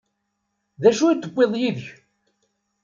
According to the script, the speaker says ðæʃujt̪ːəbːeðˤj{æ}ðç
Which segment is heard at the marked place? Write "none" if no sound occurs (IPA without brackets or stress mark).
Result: i